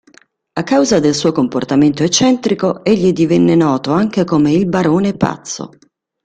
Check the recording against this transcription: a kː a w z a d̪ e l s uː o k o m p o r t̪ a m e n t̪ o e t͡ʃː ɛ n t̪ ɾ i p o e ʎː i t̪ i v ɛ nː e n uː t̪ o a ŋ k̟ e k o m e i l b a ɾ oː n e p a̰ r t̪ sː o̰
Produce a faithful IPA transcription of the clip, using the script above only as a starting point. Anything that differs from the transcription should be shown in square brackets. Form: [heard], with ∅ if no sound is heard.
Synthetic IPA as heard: a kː a w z a d̪ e l s uː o k o m p o r t̪ a m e n t̪ o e t͡ʃː ɛ n t̪ ɾ i [k] o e ʎː i [d̪] i v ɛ nː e n [ɔː] t̪ o a ŋ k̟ e k o m e i l b a ɾ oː n e p a̰ [∅] t̪ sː o̰